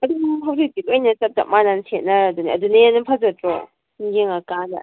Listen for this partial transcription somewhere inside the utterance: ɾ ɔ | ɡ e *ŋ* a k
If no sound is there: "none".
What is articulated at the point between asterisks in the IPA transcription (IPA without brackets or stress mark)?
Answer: ŋ